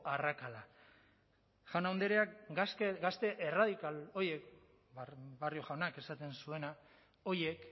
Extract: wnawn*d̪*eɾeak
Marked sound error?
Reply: no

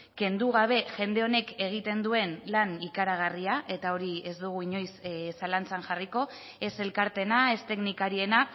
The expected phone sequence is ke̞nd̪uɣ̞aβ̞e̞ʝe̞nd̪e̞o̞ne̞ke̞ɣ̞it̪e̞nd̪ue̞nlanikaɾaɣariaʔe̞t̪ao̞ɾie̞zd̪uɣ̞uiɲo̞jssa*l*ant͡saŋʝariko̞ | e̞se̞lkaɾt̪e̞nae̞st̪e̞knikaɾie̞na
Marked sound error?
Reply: no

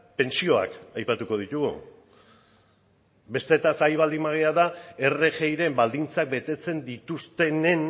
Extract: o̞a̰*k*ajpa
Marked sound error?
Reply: no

